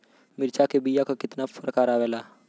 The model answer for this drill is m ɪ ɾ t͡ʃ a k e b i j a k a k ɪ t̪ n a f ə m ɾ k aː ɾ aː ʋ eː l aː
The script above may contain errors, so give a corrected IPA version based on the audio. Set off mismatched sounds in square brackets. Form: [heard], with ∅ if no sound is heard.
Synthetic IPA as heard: m ɪ ɾ t͡ʃ a k e b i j a k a k ɪ t̪ n a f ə [∅] ɾ k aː ɾ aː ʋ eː l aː